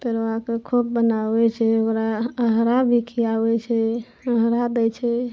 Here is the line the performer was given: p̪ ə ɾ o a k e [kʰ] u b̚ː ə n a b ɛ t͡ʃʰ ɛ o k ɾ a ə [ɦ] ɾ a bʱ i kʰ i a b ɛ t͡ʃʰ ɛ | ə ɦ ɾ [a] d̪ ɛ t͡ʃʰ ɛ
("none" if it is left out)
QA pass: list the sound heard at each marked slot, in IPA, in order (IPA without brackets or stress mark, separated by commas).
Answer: kʰ, ɦ, a